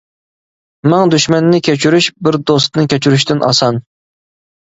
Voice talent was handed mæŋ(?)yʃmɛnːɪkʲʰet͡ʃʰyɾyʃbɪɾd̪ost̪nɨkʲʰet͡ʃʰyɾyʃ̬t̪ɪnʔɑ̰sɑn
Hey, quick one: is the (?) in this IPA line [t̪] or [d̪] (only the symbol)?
d̪